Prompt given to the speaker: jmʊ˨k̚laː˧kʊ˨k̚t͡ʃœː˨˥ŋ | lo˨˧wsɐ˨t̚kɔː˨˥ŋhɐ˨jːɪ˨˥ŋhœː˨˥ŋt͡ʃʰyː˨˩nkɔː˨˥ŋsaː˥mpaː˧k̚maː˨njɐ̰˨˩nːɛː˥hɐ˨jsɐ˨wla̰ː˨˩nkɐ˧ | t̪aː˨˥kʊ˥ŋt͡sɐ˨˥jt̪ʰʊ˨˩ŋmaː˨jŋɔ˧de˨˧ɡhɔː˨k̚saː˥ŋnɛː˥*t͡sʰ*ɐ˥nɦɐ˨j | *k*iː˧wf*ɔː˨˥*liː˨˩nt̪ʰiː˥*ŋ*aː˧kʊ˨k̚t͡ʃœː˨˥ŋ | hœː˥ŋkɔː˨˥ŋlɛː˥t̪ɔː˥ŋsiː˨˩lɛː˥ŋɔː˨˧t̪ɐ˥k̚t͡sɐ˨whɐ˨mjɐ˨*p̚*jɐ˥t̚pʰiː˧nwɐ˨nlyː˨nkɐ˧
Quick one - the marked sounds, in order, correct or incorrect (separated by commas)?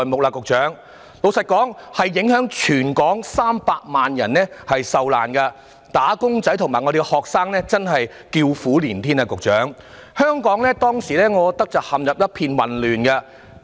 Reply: incorrect, correct, incorrect, incorrect, correct